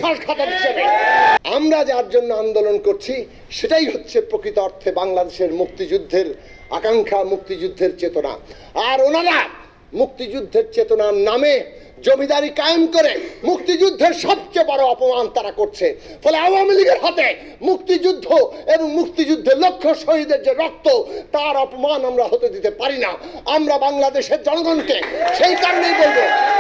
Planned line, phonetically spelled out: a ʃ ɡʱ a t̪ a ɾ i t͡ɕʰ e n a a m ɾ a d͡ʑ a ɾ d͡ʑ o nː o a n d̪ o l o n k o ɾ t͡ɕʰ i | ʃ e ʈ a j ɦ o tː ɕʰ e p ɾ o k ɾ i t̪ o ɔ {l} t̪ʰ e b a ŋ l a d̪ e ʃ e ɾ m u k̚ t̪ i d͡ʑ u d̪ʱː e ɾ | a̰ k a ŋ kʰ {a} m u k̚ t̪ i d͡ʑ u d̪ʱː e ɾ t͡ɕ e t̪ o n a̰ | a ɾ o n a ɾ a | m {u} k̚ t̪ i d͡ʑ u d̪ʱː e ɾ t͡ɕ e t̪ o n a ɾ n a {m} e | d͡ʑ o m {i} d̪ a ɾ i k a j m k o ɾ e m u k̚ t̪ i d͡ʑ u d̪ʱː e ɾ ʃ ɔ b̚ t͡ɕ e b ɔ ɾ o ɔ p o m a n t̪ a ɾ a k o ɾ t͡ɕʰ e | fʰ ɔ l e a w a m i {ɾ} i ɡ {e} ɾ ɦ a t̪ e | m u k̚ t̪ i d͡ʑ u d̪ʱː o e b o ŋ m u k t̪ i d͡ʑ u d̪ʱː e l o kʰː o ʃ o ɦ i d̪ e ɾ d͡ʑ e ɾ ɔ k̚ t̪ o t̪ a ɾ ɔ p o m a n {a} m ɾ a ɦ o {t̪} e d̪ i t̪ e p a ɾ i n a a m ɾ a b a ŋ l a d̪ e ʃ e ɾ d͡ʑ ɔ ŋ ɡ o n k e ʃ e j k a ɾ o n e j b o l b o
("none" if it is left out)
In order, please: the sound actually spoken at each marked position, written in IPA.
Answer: ɾ, a, u, m, i, l, e, a, t̪

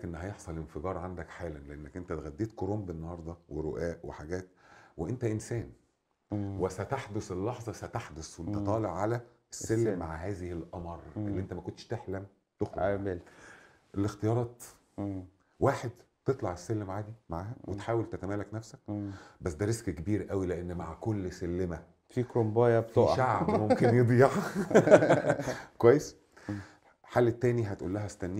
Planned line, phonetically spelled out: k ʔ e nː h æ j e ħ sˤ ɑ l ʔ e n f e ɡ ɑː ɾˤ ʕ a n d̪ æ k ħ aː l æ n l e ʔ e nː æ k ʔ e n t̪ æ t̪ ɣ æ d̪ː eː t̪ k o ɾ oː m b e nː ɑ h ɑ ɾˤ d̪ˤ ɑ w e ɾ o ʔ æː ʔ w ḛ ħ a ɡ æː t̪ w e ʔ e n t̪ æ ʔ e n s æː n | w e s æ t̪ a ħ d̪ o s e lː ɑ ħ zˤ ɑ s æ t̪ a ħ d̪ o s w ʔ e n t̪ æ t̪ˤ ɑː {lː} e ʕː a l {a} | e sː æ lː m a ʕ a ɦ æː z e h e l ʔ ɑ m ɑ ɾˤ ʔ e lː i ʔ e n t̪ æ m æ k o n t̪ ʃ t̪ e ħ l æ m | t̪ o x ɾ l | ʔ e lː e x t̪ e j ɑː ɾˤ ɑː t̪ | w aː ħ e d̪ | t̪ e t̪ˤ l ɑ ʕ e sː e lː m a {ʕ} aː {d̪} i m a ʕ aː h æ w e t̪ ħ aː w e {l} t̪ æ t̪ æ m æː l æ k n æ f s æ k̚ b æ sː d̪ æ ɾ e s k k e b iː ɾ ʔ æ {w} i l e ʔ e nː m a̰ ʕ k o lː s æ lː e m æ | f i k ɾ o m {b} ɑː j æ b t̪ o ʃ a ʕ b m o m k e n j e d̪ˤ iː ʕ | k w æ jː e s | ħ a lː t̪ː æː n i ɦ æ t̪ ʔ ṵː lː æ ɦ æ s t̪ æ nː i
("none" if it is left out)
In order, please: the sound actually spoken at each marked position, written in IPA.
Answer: l, æ, ʕ, d̪, l, w, b

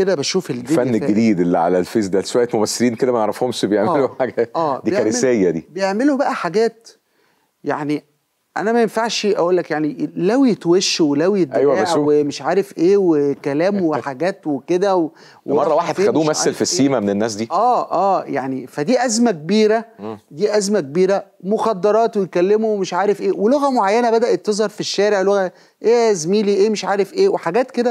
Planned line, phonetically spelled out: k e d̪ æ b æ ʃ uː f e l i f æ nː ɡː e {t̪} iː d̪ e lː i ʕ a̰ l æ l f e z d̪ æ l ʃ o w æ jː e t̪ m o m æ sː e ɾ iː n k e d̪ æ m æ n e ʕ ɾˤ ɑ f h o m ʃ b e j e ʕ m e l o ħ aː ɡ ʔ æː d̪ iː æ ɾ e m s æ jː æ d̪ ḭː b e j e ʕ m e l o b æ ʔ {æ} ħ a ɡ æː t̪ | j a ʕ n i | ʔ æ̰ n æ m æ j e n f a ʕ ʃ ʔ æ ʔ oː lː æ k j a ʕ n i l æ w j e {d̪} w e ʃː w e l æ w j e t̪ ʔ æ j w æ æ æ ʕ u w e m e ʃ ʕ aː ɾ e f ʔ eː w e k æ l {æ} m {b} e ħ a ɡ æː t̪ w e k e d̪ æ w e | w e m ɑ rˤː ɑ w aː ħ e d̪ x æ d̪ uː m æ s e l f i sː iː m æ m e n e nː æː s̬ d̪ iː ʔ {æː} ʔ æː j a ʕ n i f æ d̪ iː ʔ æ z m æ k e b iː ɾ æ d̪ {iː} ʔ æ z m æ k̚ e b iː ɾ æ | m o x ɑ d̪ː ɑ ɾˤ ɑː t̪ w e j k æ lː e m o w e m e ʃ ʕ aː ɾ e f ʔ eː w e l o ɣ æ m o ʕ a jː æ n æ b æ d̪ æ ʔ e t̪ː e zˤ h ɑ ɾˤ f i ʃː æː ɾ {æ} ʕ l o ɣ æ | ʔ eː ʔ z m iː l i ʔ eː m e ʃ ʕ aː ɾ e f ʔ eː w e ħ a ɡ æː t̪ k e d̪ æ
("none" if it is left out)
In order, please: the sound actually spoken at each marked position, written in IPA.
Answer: d̪, æ, t̪, æː, w, æː, iː, e

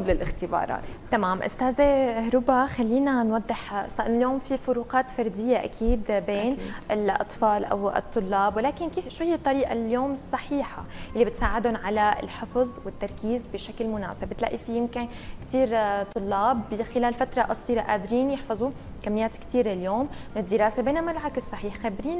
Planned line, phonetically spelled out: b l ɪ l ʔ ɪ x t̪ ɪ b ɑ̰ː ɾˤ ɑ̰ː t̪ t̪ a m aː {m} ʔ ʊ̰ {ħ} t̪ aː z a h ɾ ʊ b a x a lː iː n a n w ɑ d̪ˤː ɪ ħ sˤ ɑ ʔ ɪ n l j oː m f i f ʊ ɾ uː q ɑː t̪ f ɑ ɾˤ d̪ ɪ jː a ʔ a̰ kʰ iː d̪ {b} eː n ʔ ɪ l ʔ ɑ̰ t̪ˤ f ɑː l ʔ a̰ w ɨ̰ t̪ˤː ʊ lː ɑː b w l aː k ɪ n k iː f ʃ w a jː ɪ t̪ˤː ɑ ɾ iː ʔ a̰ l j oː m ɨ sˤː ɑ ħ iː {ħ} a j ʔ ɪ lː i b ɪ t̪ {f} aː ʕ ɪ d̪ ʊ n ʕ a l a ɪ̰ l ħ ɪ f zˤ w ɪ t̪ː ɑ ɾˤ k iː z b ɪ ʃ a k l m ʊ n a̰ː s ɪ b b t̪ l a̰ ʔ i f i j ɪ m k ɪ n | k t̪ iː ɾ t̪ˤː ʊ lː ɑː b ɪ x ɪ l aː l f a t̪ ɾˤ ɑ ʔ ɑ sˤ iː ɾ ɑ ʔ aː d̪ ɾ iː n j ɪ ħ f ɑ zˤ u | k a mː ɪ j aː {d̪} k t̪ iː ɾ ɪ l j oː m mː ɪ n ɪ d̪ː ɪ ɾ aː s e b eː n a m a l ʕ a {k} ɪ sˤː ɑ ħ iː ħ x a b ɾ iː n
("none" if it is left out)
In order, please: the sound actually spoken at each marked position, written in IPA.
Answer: m, s, b, ħ, s, t̪, k

